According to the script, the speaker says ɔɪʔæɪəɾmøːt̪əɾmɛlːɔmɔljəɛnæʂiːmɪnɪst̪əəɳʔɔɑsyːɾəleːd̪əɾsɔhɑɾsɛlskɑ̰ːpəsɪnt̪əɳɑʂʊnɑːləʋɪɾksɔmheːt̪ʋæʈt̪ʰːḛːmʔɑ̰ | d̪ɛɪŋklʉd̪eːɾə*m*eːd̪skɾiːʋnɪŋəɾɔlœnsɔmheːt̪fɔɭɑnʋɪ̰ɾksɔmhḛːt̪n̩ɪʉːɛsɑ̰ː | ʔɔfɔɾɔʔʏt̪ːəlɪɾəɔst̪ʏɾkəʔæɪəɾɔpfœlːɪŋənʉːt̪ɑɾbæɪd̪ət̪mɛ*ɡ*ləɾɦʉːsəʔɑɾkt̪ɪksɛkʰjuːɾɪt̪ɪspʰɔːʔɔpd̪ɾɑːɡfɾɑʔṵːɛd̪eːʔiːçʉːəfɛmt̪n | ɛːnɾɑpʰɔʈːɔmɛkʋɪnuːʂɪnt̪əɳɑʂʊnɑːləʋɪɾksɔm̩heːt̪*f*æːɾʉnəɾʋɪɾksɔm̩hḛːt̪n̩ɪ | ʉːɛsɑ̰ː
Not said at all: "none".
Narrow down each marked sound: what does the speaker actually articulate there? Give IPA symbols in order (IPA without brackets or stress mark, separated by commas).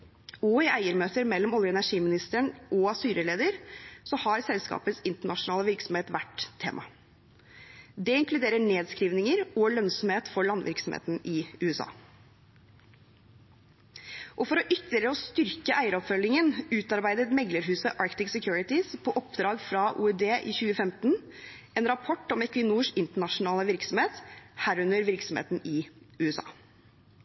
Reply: ɳ, ɡ, h